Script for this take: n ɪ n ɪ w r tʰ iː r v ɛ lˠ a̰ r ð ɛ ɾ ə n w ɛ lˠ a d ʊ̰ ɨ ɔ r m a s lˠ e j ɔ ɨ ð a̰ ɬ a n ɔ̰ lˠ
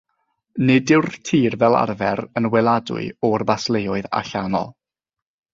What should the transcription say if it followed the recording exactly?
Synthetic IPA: n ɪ d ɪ w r tʰ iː r v ɛ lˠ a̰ r v ɛ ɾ ə n w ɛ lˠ a d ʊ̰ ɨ ɔ r b a s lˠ e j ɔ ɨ ð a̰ ɬ a n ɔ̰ lˠ